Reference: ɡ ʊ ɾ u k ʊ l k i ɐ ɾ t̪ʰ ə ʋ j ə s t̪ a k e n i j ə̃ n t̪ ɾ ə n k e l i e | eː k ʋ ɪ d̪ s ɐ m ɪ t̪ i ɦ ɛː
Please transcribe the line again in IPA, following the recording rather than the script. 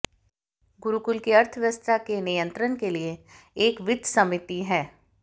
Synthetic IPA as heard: ɡ ʊ ɾ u k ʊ l k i ɐ ɾ t̪ʰ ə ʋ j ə s t̪ a k e n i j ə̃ n t̪ ɾ ə n k e l i e | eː k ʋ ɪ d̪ s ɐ m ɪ t̪ i ɦ ɛː